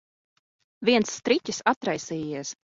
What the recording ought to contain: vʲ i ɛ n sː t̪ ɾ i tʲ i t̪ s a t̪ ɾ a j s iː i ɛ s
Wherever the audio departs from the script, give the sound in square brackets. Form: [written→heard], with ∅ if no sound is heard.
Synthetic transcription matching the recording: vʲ i ɛ n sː t̪ ɾ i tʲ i [t̪→∅] s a t̪ ɾ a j s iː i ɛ s